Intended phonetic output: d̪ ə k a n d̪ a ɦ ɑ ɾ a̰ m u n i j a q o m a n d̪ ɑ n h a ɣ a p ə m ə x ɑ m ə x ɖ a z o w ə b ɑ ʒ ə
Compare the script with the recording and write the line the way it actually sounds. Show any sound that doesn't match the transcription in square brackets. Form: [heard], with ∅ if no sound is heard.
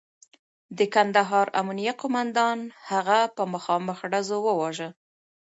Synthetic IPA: d̪ ə k a n d̪ a ɦ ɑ ɾ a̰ m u n i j a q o m a n d̪ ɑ n h a ɣ a p ə m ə x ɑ m ə x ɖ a z o w ə [w] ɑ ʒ ə